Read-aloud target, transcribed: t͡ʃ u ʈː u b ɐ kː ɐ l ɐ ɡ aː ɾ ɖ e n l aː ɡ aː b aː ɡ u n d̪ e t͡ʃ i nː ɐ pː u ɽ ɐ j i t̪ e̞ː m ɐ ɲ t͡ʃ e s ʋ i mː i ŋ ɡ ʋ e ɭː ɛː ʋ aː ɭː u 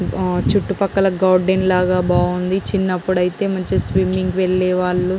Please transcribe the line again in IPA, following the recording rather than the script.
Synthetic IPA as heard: t͡ʃ u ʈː u p ɐ kː ɐ l ɐ ɡ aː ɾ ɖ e n l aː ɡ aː b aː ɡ u n d̪ i t͡ʃ i nː ɐ pː u ɽ ɐ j i t̪ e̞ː m ɐ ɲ t͡ʃ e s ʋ i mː i ŋ ɡ ʋ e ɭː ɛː ʋ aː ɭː u